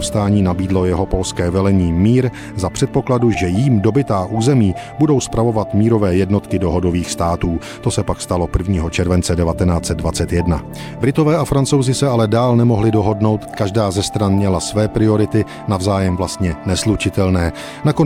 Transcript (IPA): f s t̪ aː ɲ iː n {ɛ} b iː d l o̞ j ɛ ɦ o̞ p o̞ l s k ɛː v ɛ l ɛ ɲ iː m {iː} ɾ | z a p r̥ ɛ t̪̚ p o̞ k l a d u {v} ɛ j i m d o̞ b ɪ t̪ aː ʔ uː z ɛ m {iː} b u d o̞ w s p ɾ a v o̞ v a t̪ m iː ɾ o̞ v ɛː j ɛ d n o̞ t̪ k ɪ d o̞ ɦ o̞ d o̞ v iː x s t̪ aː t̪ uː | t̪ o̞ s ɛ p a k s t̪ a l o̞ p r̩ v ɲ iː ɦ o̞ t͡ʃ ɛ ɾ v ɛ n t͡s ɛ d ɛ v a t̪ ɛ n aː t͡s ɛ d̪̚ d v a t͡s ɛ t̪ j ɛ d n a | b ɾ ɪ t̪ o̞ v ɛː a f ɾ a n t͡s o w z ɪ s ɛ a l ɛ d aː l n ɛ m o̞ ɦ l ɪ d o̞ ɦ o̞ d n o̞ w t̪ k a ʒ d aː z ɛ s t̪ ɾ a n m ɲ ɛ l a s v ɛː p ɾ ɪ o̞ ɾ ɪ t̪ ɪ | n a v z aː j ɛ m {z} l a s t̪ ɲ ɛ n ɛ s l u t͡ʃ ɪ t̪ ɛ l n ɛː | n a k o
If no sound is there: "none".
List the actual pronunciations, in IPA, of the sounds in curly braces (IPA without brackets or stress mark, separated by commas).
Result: a, iː, ʒ, iː, v